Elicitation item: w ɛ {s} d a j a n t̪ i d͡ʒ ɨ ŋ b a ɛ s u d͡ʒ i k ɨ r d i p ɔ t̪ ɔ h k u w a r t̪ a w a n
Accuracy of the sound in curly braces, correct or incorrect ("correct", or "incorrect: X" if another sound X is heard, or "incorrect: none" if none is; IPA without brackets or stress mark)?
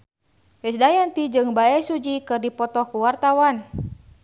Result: correct